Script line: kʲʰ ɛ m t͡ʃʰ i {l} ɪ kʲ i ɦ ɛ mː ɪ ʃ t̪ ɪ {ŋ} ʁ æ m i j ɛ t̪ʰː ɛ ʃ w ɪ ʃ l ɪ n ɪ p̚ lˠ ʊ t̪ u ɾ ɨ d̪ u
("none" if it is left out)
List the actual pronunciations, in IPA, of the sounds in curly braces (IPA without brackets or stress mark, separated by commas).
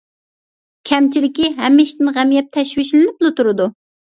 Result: l, n